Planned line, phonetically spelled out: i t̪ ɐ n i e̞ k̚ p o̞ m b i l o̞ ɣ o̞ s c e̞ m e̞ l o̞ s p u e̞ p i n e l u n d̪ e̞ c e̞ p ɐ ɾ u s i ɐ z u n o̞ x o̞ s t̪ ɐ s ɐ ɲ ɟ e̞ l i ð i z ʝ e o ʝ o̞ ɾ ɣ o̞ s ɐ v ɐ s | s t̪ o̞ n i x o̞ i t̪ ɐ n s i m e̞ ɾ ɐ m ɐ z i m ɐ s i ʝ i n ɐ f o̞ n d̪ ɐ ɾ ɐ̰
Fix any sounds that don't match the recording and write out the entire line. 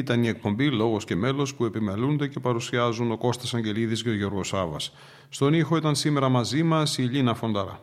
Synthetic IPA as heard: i t̪ ɐ n i e̞ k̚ p o̞ m b i l o̞ ɣ o̞ s c e̞ m e̞ l o̞ s p u e̞ p i m e l u n d̪ e̞ c e̞ p ɐ ɾ u s i ɐ z u n o̞ k o̞ s t̪ ɐ s ɐ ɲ ɟ e̞ l i ð i z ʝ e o ʝ o̞ ɾ ɣ o̞ s ɐ v ɐ s | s t̪ o̞ n i x o̞ i t̪ ɐ n s i m e̞ ɾ ɐ m ɐ z i m ɐ s i ʎ i n ɐ f o̞ n d̪ ɐ ɾ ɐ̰